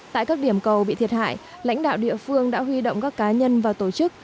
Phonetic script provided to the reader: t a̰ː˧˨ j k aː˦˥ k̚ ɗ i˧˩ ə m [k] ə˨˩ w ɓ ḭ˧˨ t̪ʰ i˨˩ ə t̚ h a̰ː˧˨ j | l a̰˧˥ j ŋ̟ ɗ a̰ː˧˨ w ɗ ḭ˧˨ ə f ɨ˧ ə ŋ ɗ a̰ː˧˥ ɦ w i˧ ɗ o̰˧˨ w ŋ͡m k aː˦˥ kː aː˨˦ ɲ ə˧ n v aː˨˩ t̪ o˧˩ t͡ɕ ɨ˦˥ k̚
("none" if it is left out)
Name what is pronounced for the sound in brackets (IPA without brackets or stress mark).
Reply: k